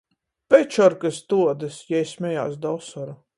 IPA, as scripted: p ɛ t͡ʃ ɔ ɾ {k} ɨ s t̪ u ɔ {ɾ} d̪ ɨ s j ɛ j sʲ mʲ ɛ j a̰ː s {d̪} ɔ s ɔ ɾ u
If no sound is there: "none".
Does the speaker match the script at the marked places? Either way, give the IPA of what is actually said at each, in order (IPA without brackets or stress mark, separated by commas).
k, none, d̪